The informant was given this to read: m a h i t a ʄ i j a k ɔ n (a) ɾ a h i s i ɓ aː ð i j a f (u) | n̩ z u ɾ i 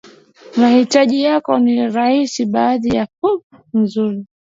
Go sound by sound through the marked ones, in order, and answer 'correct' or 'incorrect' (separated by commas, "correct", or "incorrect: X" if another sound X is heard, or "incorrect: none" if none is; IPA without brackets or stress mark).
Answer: incorrect: i, correct